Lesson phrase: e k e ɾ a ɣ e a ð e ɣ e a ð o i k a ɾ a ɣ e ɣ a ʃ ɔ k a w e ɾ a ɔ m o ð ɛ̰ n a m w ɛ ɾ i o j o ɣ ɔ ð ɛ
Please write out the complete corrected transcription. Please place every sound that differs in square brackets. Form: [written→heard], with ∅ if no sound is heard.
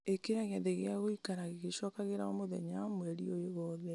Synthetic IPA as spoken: e k e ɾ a ɣ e a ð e ɣ e a [ð→ɣ] o i k a ɾ a ɣ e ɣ [a→e] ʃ ɔ k a [w→ɣ] e ɾ a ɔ m o ð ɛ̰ [n→ɲ] a m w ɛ ɾ i o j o ɣ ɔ ð ɛ